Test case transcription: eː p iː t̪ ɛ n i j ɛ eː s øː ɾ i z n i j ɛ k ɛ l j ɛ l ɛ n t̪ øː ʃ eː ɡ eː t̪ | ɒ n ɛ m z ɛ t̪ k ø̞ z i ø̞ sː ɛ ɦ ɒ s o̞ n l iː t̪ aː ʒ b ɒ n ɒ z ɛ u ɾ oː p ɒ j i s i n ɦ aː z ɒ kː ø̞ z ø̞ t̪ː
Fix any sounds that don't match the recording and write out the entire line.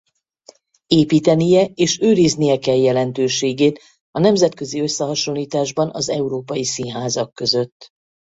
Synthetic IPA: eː p iː t̪ ɛ n i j ɛ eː ʃ øː ɾ i z n i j ɛ k ɛ l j ɛ l ɛ n t̪ øː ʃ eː ɡ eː t̪ | ɒ n ɛ m z ɛ t̪ k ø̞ z i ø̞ sː ɛ ɦ ɒ ʃ o̞ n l iː t̪ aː ʒ b ɒ n ɒ z ɛ u ɾ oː p ɒ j i s i n ɦ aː z ɒ kː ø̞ z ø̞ t̪ː